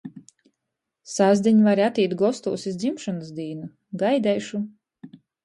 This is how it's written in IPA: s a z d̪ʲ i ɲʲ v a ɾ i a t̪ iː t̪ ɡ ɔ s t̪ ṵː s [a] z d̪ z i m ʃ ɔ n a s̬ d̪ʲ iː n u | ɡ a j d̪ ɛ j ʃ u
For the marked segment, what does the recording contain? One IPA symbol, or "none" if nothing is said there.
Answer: i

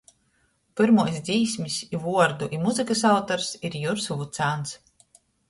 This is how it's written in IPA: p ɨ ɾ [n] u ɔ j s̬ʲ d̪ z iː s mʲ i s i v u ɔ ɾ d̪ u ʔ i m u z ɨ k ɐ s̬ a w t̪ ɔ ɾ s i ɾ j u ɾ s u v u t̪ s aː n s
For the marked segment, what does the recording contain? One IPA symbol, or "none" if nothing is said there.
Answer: m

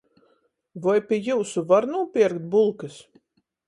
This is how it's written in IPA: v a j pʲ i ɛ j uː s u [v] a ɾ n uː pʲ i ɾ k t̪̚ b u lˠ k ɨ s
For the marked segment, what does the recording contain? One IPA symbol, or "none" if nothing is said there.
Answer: v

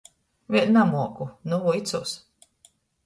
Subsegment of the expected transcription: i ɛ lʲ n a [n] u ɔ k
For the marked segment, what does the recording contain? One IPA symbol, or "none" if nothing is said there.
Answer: m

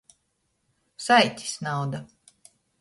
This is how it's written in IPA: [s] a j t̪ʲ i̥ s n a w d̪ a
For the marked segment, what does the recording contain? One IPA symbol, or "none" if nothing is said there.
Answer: s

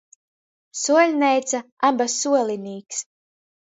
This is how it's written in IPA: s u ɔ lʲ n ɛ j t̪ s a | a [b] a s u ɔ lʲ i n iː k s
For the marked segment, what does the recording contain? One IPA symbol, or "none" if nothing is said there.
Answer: b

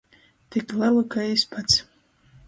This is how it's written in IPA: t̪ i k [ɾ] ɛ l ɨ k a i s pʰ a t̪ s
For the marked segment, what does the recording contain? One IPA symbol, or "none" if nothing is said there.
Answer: l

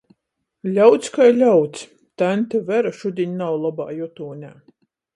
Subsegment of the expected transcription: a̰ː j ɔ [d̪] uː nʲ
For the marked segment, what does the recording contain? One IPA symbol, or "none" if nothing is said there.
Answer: t̪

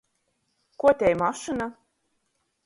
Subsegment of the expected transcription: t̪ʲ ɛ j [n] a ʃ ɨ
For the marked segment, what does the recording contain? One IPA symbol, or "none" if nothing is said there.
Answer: m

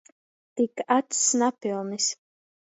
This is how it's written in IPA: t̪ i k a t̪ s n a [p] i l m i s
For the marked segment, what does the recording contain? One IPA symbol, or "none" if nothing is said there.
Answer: p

